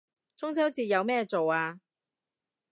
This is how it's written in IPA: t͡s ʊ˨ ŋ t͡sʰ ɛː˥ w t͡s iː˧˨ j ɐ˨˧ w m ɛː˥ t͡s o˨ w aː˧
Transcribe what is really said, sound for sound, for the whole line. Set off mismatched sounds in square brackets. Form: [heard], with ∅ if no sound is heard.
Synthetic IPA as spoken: t͡s [ʊ˥] ŋ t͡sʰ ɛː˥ w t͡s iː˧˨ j ɐ˨˧ w m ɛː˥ t͡s o˨ w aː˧